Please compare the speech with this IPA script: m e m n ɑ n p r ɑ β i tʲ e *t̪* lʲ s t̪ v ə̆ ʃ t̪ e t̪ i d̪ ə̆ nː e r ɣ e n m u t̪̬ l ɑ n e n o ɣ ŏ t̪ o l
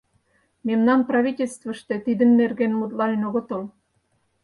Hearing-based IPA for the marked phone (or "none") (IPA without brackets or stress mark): none